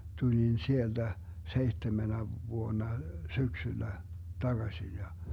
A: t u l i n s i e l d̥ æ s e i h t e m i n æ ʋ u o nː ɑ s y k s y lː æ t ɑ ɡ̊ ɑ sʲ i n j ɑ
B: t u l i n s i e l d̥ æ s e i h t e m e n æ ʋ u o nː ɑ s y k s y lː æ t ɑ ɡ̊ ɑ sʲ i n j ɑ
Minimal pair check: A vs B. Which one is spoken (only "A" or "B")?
B